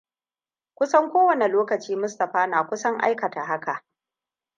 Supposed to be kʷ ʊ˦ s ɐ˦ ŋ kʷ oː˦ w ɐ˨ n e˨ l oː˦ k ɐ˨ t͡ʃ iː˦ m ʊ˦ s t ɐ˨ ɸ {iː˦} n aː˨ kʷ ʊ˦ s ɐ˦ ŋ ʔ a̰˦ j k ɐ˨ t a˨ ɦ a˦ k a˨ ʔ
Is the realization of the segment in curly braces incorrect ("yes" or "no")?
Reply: yes